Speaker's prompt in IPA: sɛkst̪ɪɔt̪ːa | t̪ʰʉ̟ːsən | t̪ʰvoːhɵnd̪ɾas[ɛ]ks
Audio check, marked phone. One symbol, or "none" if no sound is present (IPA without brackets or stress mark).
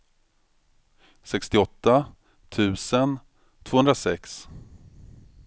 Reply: ɛ